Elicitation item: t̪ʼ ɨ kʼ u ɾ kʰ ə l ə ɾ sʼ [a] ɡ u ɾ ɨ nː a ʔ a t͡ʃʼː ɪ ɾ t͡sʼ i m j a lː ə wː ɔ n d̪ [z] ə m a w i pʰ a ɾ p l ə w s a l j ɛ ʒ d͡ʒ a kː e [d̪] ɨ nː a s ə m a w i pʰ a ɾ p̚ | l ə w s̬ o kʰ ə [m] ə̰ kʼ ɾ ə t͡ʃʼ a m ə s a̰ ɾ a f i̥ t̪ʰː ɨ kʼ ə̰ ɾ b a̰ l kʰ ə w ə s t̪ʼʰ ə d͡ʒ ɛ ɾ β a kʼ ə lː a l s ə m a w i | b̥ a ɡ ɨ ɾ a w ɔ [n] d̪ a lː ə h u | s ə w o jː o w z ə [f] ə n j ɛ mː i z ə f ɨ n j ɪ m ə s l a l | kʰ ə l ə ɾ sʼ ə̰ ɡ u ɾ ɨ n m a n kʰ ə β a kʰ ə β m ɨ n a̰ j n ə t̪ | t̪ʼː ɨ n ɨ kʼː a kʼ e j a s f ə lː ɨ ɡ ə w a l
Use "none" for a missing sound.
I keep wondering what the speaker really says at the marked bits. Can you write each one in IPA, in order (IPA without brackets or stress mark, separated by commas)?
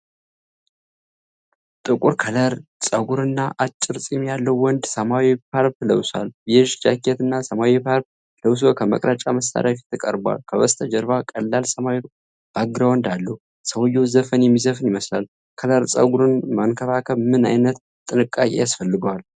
ə, s, t̪, m, n, f